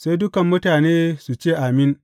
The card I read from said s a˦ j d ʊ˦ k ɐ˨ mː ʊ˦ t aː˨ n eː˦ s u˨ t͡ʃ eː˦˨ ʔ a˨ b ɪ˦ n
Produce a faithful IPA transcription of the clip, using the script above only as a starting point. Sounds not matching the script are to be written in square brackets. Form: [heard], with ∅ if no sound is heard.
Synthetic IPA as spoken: s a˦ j d ʊ˦ k ɐ˨ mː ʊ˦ t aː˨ n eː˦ s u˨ t͡ʃ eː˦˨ ʔ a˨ [m] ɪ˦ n